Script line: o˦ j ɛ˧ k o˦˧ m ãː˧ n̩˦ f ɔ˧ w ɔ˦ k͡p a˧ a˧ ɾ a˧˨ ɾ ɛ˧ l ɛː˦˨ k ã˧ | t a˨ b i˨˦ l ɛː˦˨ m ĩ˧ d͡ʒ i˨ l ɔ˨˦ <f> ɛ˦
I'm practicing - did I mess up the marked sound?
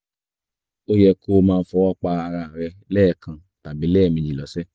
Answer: yes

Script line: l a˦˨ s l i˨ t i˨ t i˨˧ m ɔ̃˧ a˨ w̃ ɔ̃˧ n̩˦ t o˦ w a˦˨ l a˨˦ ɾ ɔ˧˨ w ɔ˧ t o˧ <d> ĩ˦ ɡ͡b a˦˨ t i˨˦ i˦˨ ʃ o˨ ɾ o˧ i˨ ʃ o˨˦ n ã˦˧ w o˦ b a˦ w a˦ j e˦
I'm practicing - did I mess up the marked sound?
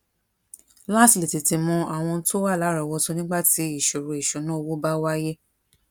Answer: yes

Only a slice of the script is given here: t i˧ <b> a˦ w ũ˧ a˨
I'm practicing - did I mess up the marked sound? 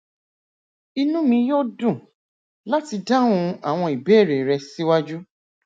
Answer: yes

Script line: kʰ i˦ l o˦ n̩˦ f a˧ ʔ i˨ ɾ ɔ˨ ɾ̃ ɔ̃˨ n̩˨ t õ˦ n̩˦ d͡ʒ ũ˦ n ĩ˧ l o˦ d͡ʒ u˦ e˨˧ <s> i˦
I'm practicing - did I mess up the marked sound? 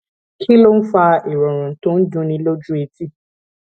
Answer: yes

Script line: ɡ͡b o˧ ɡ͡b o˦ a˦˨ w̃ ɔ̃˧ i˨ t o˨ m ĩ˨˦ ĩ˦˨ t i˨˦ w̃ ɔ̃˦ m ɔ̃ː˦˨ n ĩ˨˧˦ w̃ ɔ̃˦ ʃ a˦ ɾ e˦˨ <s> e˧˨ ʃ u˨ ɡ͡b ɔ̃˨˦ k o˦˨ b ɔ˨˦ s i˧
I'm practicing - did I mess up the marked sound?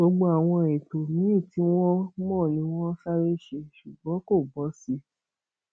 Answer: yes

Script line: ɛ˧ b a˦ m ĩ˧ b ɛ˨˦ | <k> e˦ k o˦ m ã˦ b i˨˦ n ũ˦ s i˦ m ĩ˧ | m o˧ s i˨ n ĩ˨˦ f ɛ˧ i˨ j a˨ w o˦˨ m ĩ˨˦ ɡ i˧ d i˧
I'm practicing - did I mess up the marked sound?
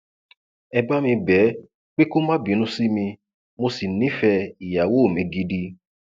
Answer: yes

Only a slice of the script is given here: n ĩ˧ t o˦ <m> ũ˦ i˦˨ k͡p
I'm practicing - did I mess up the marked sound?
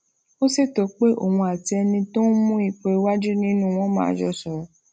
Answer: no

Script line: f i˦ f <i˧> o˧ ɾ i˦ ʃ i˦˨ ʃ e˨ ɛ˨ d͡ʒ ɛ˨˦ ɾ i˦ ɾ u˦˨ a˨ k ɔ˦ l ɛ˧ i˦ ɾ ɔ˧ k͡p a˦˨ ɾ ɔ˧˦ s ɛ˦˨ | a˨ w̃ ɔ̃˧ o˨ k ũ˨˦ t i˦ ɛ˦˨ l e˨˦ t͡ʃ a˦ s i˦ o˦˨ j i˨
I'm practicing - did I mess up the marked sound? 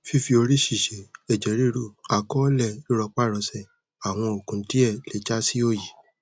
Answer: no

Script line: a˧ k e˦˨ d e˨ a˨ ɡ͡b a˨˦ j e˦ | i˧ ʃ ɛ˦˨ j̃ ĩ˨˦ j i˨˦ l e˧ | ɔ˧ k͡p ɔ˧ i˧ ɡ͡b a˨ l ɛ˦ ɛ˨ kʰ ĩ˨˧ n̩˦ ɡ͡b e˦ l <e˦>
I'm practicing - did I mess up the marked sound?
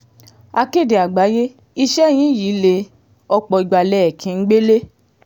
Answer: no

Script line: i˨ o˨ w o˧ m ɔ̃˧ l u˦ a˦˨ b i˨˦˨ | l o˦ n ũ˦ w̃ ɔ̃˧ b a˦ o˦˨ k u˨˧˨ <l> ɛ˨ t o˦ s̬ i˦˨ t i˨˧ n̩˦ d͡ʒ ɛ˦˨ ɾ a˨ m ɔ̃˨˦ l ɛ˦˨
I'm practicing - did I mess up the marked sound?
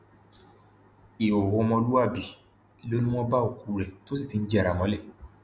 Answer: yes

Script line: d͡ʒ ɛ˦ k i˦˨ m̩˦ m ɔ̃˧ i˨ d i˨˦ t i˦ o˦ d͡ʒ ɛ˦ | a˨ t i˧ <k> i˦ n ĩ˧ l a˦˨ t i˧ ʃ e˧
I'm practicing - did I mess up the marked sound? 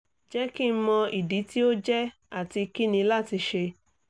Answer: no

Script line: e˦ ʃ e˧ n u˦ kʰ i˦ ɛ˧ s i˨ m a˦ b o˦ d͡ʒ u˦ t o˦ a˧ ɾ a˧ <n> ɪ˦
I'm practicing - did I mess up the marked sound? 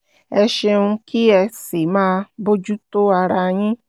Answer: yes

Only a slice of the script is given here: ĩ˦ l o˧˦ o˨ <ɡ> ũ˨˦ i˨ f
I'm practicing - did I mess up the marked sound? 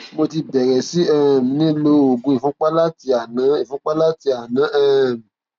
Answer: no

